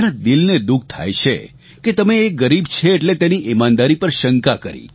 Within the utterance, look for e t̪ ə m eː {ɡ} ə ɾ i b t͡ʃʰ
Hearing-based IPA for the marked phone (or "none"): ɡ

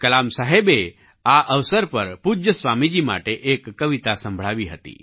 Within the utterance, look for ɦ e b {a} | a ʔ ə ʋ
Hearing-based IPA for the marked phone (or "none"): e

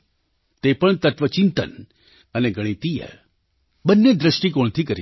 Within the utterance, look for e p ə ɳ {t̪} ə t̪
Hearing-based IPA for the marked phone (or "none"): t̪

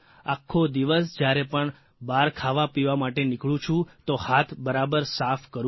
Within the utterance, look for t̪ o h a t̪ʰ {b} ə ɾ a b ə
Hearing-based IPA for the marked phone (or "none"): b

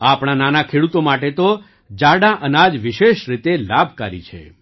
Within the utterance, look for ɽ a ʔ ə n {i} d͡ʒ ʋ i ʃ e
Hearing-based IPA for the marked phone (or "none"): a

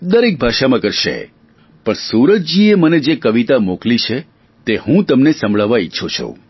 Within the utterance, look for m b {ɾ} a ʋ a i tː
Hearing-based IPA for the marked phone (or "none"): ɭ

